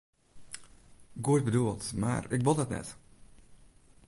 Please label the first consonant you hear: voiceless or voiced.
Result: voiced